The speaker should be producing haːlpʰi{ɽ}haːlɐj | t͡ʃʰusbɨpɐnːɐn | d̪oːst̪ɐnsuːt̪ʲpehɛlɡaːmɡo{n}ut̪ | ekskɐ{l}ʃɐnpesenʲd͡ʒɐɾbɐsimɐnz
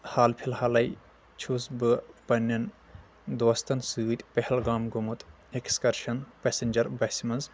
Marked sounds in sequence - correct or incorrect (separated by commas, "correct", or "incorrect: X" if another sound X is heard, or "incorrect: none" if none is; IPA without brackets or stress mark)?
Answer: incorrect: l, incorrect: m, incorrect: ɾ